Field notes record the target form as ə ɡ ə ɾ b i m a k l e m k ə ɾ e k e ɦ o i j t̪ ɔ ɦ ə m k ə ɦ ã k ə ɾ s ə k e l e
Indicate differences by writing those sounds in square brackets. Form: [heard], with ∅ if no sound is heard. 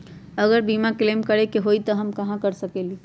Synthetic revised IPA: ə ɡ ə ɾ b i m a k l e m k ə ɾ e k e ɦ o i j t̪ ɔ ɦ ə m k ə ɦ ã k ə ɾ s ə k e l [i]